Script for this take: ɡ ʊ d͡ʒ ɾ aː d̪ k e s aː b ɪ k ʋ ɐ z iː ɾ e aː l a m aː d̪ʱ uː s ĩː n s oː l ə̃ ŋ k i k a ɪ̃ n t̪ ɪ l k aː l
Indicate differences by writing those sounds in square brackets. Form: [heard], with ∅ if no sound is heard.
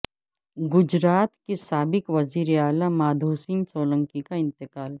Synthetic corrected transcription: ɡ ʊ d͡ʒ ɾ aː [t̪] k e s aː b ɪ k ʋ ɐ z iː ɾ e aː l a m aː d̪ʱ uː s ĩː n s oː l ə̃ ŋ k i k a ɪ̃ n t̪ ɪ [∅] k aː l